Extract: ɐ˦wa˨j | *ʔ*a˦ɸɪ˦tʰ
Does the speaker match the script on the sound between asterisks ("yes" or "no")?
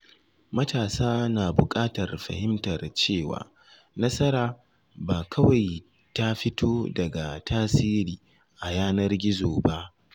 no